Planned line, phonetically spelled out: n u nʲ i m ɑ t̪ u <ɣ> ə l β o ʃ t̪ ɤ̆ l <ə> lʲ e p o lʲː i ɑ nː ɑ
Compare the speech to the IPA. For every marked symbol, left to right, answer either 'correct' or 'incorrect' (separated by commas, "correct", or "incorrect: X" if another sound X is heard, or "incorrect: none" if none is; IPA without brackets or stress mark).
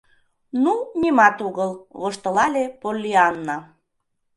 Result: correct, incorrect: ɑ